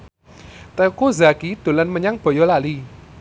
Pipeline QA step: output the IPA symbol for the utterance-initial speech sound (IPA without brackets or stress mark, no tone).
t̪